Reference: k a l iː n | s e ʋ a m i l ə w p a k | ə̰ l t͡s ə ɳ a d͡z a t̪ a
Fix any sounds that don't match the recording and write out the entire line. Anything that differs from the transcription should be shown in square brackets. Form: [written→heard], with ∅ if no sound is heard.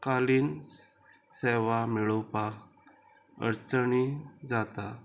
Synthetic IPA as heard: k a l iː n | s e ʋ a m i [l→ɭ] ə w p a k | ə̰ [l→ɾ] t͡s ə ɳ [a→i] d͡z a t̪ a